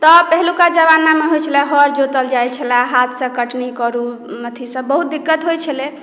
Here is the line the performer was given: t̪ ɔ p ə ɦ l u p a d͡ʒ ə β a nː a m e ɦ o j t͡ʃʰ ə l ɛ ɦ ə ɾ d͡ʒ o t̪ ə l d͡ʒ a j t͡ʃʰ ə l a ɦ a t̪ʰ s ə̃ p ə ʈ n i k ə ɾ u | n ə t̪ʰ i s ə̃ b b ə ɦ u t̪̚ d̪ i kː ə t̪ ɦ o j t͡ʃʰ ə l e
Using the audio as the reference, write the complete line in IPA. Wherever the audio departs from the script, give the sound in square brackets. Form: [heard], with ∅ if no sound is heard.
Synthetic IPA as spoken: t̪ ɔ p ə ɦ l u [k] a d͡ʒ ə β a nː a m e ɦ o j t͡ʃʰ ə l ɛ ɦ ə ɾ d͡ʒ o t̪ ə l d͡ʒ a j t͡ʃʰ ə l a ɦ a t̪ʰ s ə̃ [k] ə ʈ n i k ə ɾ u | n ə t̪ʰ i s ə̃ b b ə ɦ u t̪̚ d̪ i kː ə t̪ ɦ o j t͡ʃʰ ə l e